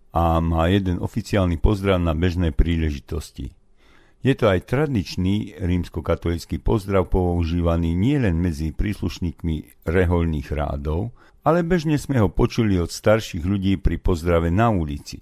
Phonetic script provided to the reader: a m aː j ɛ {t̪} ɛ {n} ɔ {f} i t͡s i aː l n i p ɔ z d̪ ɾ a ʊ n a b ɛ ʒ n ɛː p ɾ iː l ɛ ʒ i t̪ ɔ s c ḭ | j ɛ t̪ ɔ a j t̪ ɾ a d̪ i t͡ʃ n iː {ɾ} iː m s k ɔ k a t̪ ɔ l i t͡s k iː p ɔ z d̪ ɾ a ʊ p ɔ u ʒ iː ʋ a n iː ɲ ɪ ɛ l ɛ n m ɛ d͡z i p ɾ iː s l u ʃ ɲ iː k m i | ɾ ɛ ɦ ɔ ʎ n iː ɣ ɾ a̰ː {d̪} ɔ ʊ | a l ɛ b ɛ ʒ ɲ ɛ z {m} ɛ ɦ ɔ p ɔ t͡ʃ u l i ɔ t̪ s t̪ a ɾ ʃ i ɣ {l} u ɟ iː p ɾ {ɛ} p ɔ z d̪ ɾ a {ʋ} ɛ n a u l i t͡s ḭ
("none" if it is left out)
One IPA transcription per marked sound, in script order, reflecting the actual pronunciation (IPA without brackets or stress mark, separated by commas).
d̪, n, f, ɾ, d̪, m, ʎ, i, ʋ